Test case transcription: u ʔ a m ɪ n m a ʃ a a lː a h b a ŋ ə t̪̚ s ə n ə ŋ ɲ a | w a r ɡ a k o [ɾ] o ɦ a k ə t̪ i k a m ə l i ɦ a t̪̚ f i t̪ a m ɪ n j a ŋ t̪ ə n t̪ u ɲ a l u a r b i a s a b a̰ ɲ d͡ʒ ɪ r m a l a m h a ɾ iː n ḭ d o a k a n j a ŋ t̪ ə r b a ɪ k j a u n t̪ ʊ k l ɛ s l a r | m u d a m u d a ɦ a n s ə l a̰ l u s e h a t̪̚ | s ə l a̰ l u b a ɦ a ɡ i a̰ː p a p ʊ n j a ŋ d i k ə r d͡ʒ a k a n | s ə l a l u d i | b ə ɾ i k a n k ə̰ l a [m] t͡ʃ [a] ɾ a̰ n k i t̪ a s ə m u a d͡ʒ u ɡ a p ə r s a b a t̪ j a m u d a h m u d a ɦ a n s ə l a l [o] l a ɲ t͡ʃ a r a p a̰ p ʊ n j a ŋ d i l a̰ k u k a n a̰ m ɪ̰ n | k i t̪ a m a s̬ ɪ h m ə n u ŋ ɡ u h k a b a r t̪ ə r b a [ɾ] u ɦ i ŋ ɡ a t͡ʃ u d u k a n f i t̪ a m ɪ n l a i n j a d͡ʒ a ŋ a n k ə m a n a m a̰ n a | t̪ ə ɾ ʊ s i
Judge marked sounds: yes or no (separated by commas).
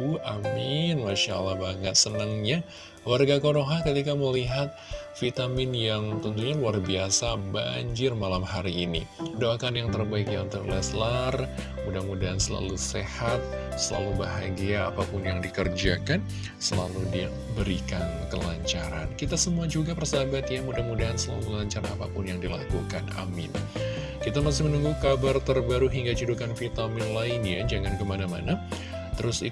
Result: yes, no, yes, no, yes